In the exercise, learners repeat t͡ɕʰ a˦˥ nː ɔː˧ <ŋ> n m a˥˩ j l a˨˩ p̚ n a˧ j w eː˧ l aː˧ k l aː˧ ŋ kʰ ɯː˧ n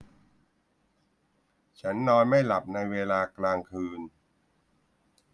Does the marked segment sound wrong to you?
yes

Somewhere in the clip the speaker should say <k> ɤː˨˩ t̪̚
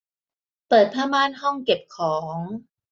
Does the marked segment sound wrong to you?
yes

